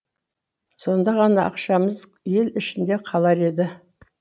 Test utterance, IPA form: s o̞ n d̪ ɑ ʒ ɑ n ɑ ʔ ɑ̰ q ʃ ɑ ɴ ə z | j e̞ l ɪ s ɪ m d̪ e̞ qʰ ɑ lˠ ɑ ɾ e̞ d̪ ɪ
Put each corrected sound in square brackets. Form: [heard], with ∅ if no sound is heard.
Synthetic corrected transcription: s o̞ n d̪ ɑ [ʁ] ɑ n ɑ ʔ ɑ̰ q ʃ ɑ [m] ə z | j e̞ l ɪ [ʃ] ɪ [n] d̪ e̞ qʰ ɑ lˠ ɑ ɾ e̞ d̪ ɪ